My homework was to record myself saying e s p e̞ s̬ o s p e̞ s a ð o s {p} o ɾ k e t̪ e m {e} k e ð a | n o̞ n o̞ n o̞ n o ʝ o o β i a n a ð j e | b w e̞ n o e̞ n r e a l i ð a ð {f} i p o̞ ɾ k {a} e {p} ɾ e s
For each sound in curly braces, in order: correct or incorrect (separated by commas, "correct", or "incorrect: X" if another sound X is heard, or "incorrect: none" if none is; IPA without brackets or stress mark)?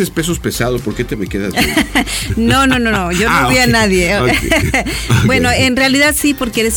correct, correct, incorrect: s, incorrect: e, incorrect: none